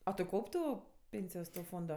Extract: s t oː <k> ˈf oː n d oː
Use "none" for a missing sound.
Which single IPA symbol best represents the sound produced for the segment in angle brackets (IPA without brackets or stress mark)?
none